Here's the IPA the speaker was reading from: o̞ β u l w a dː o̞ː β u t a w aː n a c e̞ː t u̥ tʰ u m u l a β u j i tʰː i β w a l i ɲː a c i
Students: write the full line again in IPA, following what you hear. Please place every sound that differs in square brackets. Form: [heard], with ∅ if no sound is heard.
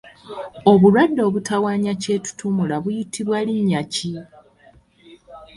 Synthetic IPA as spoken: o̞ β u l w a dː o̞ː β u t a w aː [ɲ] a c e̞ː t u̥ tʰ u m u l a β u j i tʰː i β w a l i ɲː a c i